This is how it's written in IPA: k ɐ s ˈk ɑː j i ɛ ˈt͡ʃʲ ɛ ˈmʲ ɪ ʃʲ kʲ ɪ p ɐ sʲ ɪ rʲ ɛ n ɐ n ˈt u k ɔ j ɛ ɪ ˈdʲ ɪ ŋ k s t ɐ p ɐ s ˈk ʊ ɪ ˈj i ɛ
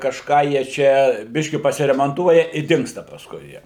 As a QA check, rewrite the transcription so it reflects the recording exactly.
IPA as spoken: k ɐ ʃ ˈk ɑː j i ɛ ˈt͡ʃʲ ɛ ˈbʲ ɪ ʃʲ kʲ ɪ p ɐ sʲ ɪ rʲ ɛ m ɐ n ˈt u ɔ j ɛ ɪ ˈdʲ ɪ ŋ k s t ɐ p ɐ s ˈk ʊ ɪ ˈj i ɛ